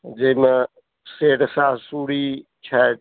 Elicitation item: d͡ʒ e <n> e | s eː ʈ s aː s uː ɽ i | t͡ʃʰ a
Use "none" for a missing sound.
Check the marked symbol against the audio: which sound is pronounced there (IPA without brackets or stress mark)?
m